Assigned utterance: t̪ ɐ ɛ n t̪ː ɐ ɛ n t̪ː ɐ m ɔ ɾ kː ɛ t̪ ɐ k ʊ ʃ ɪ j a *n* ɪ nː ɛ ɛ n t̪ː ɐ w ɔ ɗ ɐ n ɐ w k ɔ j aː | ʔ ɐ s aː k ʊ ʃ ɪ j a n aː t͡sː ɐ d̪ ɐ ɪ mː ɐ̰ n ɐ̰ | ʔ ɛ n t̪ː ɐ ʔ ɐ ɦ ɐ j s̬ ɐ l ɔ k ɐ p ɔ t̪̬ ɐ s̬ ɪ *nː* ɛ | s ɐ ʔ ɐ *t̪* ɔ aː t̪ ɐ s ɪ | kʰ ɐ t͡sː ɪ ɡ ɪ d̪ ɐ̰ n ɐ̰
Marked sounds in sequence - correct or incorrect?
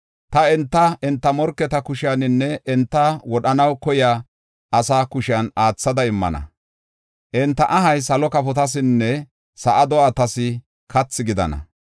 correct, correct, incorrect: d̪

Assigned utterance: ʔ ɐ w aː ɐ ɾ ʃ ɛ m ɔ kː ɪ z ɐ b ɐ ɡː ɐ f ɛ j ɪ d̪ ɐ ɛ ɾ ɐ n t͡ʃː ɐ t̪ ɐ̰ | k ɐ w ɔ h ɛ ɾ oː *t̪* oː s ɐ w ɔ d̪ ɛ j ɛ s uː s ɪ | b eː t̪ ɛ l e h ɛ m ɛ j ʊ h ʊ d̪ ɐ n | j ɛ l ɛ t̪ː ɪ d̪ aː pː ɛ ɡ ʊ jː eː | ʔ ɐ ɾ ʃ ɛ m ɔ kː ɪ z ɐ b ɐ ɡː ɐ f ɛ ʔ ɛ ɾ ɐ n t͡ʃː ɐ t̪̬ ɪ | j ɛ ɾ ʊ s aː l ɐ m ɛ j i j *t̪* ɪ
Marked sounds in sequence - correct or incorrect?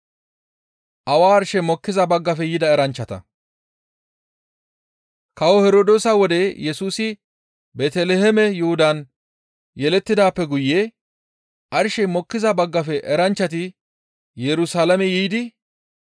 incorrect: d̪, incorrect: d̪

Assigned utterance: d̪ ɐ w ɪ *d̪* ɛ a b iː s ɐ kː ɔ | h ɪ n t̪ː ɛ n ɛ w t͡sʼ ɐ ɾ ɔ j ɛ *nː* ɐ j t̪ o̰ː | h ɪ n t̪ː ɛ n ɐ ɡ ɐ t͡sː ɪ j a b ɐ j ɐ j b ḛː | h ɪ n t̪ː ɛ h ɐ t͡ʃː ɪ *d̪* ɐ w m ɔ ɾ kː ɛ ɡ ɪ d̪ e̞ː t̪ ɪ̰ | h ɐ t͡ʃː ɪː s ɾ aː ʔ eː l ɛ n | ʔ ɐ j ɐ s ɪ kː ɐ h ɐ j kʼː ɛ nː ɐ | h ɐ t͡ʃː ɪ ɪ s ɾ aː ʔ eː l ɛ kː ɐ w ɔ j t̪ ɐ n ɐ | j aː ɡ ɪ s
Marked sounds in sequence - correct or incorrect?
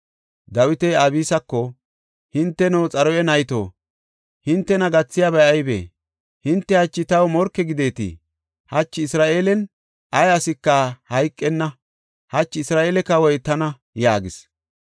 incorrect: t̪, incorrect: n, incorrect: t̪

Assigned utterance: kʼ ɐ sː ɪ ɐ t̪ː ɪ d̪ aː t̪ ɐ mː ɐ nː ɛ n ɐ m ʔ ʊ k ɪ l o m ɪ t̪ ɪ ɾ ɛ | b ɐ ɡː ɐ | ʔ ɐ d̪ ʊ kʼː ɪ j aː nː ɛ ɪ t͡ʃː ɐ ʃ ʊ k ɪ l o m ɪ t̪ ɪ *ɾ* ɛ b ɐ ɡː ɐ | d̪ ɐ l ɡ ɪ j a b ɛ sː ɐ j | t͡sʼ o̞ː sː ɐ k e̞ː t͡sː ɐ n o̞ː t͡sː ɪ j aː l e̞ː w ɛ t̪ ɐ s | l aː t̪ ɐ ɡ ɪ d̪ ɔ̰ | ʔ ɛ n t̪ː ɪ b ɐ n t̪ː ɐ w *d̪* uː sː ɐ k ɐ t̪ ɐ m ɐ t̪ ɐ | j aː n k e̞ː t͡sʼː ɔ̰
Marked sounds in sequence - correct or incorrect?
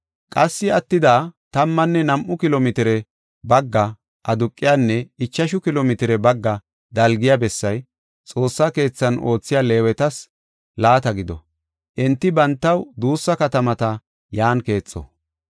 correct, correct

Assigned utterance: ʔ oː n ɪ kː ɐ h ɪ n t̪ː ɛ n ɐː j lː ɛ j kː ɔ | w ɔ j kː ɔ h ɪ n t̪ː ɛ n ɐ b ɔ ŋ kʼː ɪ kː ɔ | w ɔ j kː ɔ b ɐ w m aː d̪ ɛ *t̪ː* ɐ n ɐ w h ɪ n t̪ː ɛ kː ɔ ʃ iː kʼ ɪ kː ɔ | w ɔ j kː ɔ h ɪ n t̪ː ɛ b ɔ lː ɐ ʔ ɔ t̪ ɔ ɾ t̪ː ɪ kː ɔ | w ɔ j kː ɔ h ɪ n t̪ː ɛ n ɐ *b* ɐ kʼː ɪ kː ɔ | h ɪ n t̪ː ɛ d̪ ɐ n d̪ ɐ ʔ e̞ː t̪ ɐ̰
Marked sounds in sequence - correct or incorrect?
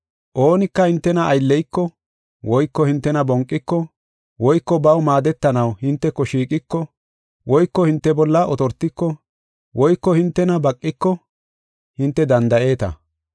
correct, correct

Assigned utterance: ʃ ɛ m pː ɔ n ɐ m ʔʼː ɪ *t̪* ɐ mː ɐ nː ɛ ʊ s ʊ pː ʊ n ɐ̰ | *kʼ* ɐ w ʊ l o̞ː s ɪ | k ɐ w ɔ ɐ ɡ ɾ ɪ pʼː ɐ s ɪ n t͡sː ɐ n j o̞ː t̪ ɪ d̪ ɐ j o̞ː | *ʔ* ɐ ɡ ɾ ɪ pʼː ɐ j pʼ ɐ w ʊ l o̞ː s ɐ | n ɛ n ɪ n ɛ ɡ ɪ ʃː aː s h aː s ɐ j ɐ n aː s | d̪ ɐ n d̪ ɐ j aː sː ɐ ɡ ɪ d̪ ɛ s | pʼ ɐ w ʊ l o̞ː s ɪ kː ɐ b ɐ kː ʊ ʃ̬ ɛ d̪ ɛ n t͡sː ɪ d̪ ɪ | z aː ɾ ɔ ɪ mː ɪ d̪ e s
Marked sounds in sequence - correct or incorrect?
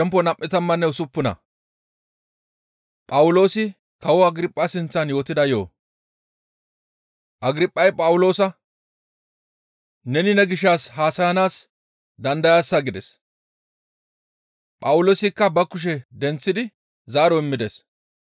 correct, incorrect: pʼ, correct

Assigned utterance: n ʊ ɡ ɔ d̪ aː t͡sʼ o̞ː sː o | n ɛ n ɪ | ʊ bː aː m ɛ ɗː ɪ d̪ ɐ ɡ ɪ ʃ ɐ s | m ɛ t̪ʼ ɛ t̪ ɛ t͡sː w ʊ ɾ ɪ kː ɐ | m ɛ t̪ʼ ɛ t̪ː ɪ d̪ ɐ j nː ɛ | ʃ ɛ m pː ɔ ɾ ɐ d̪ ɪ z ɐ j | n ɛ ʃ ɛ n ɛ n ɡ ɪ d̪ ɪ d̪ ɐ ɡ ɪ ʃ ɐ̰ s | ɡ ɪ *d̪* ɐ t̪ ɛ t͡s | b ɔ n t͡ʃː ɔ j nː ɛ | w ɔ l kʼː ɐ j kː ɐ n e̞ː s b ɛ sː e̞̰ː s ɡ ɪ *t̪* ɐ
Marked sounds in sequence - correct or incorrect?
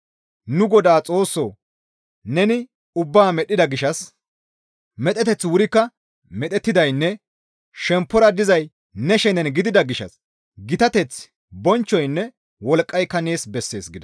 incorrect: t̪, incorrect: d̪

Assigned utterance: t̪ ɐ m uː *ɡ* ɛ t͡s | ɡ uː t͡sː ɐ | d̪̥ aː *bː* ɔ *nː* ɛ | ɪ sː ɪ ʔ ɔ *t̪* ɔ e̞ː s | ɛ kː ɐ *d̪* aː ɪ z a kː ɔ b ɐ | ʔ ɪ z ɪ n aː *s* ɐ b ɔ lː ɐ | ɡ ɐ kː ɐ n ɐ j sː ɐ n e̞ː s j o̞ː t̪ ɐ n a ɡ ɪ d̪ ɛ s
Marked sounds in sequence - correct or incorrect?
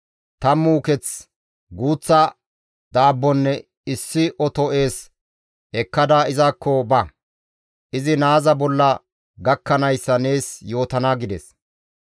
incorrect: k, correct, correct, correct, correct, incorrect: z

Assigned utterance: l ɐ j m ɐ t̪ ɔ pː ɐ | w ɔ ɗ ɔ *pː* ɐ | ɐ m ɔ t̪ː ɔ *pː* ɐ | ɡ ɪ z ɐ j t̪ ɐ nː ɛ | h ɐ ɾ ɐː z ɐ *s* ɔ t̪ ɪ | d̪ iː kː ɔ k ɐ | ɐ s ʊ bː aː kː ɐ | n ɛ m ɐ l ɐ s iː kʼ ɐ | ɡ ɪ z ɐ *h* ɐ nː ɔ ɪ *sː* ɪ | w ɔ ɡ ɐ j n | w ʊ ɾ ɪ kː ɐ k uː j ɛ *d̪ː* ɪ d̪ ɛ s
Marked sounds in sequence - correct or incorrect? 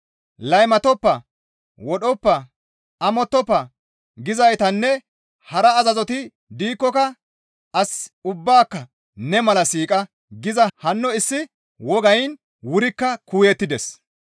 correct, correct, incorrect: z, correct, correct, incorrect: t̪ː

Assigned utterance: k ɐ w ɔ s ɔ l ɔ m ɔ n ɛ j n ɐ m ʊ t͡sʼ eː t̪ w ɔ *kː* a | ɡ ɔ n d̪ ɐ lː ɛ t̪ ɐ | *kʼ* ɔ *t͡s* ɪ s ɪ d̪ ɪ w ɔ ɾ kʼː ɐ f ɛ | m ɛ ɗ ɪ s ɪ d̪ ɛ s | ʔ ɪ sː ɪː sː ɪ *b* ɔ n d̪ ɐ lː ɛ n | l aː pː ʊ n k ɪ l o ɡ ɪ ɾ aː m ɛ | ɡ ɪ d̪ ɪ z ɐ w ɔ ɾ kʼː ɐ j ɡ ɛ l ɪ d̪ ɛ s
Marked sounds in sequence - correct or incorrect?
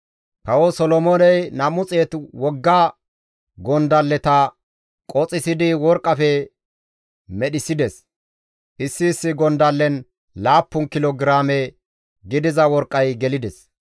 incorrect: ɡː, correct, incorrect: t͡sʼ, incorrect: ɡ

